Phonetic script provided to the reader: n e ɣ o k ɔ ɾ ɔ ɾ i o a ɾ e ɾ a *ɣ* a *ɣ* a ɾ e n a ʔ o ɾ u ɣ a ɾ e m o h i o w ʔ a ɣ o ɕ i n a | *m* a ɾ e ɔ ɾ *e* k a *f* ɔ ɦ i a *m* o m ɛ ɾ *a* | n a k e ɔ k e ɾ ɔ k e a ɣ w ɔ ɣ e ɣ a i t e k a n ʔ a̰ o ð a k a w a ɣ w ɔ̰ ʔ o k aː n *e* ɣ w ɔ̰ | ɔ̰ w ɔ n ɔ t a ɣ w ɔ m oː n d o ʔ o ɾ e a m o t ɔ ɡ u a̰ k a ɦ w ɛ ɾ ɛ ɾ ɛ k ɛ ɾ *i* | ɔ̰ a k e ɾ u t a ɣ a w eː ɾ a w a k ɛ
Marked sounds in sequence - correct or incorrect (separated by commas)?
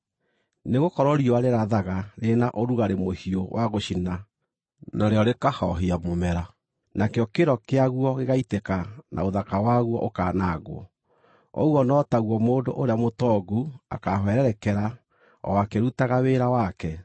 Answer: incorrect, correct, incorrect, correct, incorrect, correct, correct, incorrect, incorrect